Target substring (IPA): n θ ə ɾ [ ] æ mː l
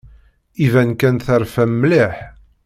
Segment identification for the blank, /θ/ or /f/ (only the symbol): f